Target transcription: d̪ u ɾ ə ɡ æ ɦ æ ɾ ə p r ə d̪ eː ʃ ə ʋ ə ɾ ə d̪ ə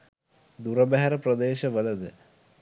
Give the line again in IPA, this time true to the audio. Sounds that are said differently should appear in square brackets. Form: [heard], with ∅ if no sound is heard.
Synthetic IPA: d̪ u ɾ ə [b] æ ɦ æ ɾ ə p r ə d̪ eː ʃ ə ʋ ə [l] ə d̪ ə